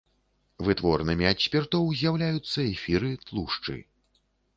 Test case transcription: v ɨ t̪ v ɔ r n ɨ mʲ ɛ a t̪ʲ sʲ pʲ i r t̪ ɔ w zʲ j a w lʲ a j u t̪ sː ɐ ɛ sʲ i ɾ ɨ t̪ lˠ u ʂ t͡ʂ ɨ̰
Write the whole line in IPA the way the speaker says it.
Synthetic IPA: v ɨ t̪ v ɔ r n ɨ mʲ i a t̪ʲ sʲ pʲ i r t̪ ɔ w zʲ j a w lʲ a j u t̪ sː ɐ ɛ fʲ i ɾ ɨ t̪ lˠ u ʂ t͡ʂ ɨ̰